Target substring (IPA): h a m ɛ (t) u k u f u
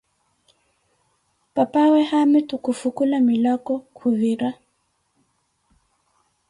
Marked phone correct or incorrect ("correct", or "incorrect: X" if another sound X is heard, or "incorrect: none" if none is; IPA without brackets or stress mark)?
correct